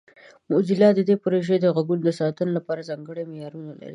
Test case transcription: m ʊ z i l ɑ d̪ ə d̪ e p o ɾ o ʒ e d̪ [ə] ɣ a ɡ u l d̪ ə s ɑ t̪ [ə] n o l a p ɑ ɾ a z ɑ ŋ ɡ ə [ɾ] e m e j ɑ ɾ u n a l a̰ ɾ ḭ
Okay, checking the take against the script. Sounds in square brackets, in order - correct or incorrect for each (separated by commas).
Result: correct, correct, incorrect